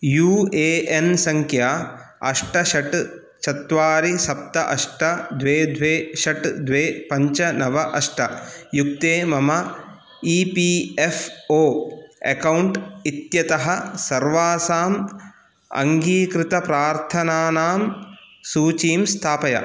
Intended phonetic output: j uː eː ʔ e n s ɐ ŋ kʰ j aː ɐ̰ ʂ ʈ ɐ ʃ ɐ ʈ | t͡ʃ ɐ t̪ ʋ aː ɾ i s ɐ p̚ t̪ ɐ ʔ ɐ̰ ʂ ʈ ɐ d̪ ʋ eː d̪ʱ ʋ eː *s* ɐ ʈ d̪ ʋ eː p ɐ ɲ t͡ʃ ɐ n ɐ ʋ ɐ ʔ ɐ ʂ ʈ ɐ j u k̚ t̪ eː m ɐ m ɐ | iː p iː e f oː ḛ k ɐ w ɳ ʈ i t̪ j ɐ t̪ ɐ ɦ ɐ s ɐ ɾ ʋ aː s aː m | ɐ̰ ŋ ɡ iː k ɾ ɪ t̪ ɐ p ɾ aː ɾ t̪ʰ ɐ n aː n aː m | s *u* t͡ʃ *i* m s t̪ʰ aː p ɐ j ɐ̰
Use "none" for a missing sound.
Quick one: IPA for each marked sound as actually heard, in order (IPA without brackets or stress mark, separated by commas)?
ʃ, uː, iː